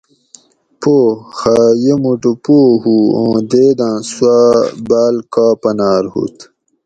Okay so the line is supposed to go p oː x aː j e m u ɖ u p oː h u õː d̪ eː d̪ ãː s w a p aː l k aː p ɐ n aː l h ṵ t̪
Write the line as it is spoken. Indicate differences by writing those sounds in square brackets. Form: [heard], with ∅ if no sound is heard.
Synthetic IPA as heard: p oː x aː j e m u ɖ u p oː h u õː d̪ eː d̪ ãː s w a [b] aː l k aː p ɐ n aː [ɾ] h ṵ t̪